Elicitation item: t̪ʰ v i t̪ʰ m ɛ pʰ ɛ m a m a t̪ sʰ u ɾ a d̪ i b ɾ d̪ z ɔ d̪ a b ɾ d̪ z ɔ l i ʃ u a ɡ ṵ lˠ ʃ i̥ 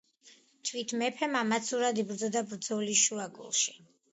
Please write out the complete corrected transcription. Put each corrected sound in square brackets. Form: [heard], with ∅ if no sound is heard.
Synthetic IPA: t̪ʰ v i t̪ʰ m ɛ pʰ ɛ m a m a t̪ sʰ u ɾ a d̪ i b ɾ d̪ z ɔ d̪ a b ɾ d̪ z ɔ l i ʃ u a ɡ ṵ lˠ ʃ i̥